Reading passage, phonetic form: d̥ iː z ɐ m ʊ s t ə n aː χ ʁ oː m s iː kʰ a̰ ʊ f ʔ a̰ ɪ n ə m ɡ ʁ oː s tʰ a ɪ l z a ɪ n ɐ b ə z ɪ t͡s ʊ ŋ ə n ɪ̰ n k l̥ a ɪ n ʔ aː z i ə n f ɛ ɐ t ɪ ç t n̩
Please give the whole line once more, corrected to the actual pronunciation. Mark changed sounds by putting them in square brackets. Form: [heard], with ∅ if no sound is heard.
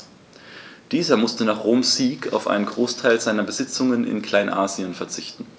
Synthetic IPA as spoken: d̥ iː z ɐ m ʊ s t ə n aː χ ʁ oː m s iː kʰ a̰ ʊ f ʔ a̰ ɪ n ə [n] ɡ ʁ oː s tʰ a ɪ l z a ɪ n ɐ b ə z ɪ t͡s ʊ ŋ ə n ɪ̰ n k l̥ a ɪ n ʔ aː z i ə n f ɛ ɐ [t͡s] ɪ ç t n̩

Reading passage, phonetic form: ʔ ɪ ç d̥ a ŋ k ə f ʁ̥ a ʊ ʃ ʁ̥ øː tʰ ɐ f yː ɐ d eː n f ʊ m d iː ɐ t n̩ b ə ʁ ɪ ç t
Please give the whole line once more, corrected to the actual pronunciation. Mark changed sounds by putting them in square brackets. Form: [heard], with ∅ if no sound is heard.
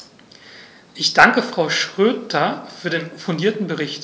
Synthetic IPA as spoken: ʔ ɪ ç d̥ a ŋ k ə f ʁ̥ a ʊ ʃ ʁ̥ øː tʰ ɐ f yː ɐ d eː n f ʊ [n] d iː ɐ t n̩ b ə ʁ ɪ ç t

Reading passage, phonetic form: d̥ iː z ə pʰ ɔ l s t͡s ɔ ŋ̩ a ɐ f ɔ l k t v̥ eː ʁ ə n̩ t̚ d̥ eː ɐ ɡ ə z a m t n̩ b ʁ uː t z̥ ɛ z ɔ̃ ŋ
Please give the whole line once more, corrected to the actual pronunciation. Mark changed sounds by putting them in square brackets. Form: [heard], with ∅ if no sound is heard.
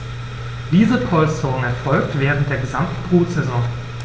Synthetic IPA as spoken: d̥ iː z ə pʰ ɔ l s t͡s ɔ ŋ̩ [ɛ] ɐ f ɔ l k t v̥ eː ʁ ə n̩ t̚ d̥ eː ɐ ɡ ə z a m t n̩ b ʁ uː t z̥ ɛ z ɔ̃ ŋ

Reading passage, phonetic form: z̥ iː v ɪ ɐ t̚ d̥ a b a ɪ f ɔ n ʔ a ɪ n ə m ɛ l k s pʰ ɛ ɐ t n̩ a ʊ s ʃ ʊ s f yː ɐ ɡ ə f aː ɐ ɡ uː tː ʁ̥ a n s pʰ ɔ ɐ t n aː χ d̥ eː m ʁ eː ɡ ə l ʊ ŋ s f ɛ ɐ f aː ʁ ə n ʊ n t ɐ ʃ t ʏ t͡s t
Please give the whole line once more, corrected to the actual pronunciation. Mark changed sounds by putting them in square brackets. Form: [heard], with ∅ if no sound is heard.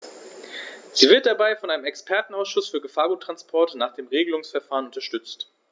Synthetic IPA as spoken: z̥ iː v ɪ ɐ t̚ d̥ a b a ɪ f ɔ n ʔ a ɪ n ə m ɛ [∅] k s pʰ ɛ ɐ t n̩ a ʊ s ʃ ʊ s f yː ɐ ɡ ə f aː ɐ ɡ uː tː ʁ̥ a n s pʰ ɔ ɐ t n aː χ d̥ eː m ʁ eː ɡ ə l ʊ ŋ s f ɛ ɐ f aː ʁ ə n ʊ n t ɐ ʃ t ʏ t͡s t

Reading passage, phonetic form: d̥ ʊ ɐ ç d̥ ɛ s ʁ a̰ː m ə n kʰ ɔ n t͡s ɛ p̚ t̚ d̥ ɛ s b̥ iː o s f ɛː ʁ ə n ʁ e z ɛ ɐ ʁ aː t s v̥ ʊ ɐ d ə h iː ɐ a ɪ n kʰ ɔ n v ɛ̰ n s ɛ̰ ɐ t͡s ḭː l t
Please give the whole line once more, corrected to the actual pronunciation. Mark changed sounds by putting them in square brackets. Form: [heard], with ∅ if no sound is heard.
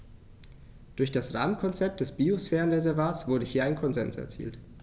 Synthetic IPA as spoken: d̥ ʊ ɐ ç d̥ [a] s ʁ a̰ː m ə n kʰ ɔ n t͡s ɛ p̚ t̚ d̥ ɛ s b̥ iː o s f ɛː ʁ ə n ʁ e z ɛ ɐ [v] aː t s v̥ ʊ ɐ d ə h iː ɐ a ɪ n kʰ ɔ n [z] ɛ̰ n s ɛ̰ ɐ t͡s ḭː l t

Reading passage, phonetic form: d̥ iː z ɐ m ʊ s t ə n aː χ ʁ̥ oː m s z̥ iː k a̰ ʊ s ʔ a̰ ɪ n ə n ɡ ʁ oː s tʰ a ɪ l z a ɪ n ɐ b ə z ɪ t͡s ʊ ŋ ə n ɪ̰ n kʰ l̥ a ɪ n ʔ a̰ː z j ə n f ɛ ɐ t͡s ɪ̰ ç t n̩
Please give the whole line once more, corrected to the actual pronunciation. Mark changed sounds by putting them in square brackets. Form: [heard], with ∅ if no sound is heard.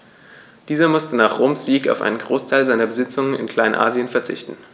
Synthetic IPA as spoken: d̥ iː z ɐ m ʊ s t ə n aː χ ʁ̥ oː m s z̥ iː k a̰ ʊ [f] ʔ a̰ ɪ n ə n ɡ ʁ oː s tʰ a ɪ l z a ɪ n ɐ b ə z ɪ t͡s ʊ ŋ ə n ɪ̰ n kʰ l̥ a ɪ n ʔ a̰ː z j ə n f ɛ ɐ t͡s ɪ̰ ç t n̩

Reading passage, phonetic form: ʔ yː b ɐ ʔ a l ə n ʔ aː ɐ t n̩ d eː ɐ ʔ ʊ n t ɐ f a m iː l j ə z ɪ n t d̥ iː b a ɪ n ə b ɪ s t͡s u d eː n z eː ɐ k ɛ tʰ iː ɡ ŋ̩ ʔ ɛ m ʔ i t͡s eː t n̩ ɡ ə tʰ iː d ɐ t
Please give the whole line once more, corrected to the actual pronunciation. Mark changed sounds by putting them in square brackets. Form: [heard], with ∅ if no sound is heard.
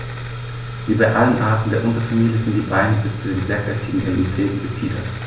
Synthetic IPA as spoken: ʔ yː b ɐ ʔ a l ə n ʔ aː ɐ t n̩ d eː ɐ ʔ ʊ n t ɐ f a m iː l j ə z ɪ n t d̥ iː b a ɪ n ə b ɪ s t͡s u d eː n z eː ɐ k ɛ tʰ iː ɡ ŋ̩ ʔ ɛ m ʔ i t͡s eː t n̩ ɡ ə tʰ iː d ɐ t

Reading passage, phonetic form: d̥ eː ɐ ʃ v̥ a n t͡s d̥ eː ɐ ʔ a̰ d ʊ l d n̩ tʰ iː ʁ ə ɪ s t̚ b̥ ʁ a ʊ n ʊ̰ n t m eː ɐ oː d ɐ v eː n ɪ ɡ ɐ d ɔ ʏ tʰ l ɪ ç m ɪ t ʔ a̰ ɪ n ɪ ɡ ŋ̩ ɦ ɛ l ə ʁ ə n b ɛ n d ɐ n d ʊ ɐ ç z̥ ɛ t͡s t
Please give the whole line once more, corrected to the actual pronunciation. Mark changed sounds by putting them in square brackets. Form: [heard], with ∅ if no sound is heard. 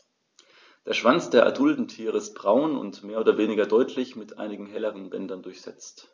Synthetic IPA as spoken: d̥ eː ɐ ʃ v̥ a n t͡s d̥ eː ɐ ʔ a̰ d ʊ l d n̩ tʰ iː ʁ ə ɪ s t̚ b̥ ʁ a ʊ n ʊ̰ n t m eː ɐ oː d ɐ v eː n ɪ ɡ ɐ d ɔ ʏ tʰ l ɪ ç m ɪ t ʔ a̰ ɪ n ɪ ɡ ŋ̩ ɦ ɛ l ə ʁ ə n b ɛ n d ɐ n d ʊ ɐ ç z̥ ɛ t͡s t

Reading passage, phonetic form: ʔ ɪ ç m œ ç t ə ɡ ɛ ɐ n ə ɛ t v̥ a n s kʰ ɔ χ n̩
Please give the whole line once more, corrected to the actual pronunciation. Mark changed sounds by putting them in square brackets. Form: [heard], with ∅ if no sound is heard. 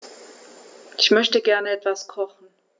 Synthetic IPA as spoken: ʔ ɪ ç m œ ç t ə ɡ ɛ ɐ n ə ɛ t v̥ a [∅] s kʰ ɔ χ n̩

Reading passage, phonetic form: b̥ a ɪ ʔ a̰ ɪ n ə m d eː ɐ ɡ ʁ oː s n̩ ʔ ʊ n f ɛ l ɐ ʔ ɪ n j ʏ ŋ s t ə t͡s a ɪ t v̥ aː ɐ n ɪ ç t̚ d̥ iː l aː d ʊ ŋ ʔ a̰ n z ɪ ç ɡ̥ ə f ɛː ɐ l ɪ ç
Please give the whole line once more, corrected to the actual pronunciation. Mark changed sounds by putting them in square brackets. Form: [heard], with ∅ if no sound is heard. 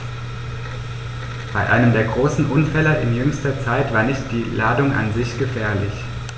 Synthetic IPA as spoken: b̥ a ɪ ʔ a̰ ɪ n ə m d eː ɐ ɡ ʁ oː s n̩ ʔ ʊ n f ɛ l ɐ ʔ ɪ n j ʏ ŋ s t [ɐ] t͡s a ɪ t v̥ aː ɐ n ɪ ç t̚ d̥ iː l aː d ʊ ŋ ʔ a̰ n z ɪ ç ɡ̥ ə f ɛː ɐ l ɪ ç

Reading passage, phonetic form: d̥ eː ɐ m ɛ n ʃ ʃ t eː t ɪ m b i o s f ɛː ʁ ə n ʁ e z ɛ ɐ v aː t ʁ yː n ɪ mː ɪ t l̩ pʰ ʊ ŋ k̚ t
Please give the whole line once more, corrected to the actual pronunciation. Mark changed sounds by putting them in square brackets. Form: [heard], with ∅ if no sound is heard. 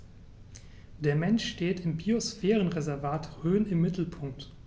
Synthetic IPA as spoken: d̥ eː ɐ m ɛ n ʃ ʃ t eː t ɪ m b i o s f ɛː ʁ ə n ʁ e z ɛ ɐ v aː t ʁ [øː] n ɪ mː ɪ t l̩ pʰ ʊ ŋ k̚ t

